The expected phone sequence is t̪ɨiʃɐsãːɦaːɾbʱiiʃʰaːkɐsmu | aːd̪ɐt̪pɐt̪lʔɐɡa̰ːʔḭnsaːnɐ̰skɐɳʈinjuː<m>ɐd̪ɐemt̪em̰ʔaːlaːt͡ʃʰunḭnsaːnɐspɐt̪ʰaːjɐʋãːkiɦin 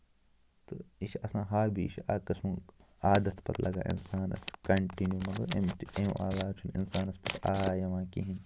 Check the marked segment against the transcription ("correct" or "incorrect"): correct